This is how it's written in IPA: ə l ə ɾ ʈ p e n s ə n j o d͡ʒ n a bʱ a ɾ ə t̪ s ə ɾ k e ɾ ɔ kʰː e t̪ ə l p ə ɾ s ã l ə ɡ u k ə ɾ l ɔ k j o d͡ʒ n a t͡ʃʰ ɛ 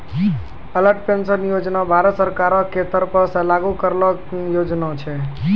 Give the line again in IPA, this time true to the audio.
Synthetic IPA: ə l ə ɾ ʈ p e n s ə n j o d͡ʒ n a bʱ a ɾ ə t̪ s ə ɾ k a ɾ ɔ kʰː e t̪ ə ɾ p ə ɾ s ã l a ɡ u k ə ɾ l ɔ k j o d͡ʒ n a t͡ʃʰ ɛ